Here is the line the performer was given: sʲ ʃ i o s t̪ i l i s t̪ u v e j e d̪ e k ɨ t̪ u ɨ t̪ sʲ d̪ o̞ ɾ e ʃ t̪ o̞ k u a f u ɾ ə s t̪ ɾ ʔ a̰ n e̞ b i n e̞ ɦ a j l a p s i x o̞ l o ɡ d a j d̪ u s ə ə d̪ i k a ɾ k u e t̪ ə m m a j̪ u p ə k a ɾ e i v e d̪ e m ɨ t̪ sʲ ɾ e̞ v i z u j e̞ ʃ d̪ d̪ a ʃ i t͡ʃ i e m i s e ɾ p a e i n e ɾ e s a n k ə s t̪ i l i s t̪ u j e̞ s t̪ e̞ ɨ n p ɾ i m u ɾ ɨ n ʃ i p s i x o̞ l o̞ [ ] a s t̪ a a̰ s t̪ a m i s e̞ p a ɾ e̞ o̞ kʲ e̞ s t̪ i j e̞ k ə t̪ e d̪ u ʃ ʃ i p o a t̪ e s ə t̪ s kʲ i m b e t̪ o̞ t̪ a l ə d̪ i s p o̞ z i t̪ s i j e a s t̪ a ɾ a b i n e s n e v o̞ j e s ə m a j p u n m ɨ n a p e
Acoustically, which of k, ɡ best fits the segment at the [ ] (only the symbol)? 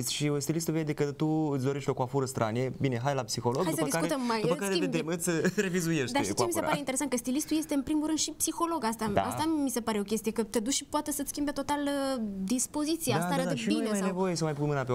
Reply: ɡ